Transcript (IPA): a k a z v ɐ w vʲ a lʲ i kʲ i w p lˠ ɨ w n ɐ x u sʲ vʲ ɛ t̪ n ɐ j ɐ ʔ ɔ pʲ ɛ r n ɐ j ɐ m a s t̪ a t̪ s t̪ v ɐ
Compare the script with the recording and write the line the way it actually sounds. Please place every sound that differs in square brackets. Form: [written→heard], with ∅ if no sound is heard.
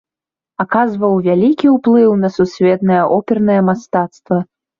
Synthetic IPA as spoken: a k a z v ɐ w vʲ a lʲ i kʲ i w p lˠ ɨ w n ɐ [x→s] u sʲ vʲ ɛ t̪ n ɐ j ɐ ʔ ɔ pʲ ɛ r n ɐ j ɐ m a s t̪ a t̪ s t̪ v ɐ